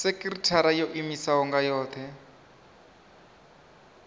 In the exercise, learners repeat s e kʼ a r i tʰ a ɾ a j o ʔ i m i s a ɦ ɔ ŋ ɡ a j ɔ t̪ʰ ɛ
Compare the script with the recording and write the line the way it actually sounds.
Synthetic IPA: s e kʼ i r i tʰ a ɾ a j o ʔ i m i s a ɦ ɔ ŋ ɡ a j ɔː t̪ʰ ɛ